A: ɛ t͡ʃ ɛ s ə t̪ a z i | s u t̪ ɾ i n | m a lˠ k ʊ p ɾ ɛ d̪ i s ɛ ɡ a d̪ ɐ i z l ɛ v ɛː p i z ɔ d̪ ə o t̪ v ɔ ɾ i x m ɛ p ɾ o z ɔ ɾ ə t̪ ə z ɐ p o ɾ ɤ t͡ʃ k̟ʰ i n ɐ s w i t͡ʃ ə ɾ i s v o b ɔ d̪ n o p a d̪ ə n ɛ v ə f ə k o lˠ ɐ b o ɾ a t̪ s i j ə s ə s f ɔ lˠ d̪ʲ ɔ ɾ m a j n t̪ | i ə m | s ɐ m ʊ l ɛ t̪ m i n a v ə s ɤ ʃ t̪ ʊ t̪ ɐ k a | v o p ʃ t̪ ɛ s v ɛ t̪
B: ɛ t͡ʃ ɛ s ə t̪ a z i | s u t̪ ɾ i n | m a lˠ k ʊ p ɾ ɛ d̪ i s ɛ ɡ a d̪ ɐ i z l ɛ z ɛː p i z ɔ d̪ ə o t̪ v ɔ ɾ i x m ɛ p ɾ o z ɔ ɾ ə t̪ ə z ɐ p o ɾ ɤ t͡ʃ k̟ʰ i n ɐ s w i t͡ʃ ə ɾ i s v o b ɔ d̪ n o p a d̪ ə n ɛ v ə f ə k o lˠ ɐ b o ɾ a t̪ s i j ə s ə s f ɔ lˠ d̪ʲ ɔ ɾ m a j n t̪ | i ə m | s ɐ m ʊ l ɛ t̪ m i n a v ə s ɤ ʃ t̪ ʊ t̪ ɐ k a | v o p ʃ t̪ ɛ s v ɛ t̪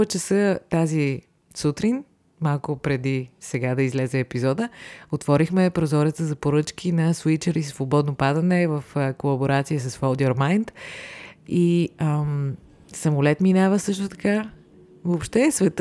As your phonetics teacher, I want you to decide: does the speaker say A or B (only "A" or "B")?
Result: B